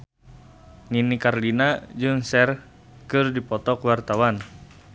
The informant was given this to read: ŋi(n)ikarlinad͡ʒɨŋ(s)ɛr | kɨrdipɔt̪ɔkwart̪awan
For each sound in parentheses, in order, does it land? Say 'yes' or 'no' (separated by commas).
yes, yes